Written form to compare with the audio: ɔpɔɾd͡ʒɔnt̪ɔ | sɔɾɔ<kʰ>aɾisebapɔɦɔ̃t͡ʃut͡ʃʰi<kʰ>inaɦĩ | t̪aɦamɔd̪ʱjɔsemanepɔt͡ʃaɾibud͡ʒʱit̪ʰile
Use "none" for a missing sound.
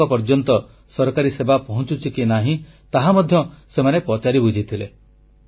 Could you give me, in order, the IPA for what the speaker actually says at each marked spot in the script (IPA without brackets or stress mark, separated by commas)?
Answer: k, k